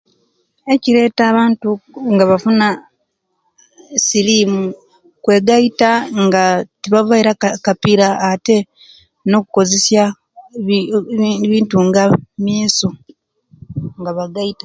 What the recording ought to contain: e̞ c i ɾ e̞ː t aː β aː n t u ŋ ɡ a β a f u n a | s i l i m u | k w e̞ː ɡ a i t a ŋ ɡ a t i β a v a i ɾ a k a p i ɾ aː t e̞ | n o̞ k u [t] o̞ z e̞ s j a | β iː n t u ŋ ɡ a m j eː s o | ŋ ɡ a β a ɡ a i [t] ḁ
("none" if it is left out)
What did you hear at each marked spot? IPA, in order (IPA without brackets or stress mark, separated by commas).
k, t